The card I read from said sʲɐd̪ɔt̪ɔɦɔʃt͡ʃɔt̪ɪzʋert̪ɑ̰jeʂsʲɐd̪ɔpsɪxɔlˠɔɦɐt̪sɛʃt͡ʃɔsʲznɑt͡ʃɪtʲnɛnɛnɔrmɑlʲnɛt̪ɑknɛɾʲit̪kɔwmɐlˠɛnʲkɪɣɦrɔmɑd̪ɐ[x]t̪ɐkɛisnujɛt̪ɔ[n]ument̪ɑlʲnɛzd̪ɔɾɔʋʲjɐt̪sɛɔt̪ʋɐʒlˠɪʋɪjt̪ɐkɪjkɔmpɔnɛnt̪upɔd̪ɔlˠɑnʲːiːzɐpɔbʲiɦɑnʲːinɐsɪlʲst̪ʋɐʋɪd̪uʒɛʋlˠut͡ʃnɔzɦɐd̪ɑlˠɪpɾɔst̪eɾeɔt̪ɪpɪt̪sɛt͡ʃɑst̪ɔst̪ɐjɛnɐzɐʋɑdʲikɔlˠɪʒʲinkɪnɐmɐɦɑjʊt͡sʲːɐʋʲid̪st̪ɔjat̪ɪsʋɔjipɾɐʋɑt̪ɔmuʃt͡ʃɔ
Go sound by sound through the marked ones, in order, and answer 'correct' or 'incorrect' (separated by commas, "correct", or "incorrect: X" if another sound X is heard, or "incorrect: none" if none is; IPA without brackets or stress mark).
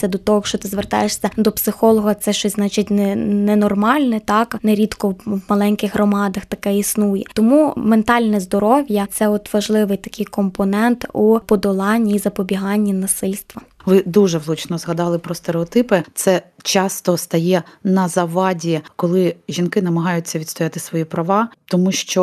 correct, incorrect: m